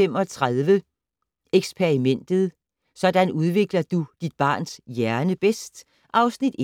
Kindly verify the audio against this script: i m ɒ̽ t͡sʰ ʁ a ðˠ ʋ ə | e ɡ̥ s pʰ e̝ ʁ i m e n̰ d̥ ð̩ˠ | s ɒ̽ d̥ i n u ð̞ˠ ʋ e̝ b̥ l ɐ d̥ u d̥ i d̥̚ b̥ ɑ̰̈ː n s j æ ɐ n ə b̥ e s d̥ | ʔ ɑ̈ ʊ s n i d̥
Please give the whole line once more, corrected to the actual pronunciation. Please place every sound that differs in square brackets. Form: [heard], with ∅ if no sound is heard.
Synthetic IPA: [e] m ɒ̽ t͡sʰ ʁ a ðˠ ʋ ə | e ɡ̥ s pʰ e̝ ʁ i m e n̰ d̥ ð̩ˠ | s ɒ̽ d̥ [æ] n u ð̞ˠ ʋ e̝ [ɡ̥] l ɐ d̥ u d̥ i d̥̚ b̥ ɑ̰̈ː n s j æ ɐ n ə b̥ e s d̥ | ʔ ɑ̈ ʊ s n i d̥